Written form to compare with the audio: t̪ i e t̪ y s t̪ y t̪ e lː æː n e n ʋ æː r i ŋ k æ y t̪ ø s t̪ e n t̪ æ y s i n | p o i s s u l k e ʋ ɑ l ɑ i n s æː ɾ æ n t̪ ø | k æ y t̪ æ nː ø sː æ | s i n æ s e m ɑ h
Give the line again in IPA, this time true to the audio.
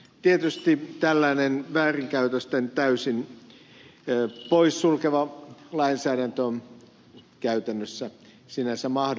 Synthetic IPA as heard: t̪ i e t̪ y s t̪ i t̪ æ lː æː n e n ʋ æː r i ŋ k æ y t̪ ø s t̪ e n t̪ æ y s i n | p o i s s u l k e ʋ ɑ l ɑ i n s æː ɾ æ n t̪ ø | k æ y t̪ æ nː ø sː æ | s i n æ s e m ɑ h